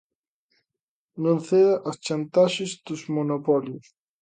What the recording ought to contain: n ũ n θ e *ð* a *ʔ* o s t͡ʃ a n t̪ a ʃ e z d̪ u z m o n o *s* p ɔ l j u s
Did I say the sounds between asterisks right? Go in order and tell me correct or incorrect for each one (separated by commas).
correct, correct, incorrect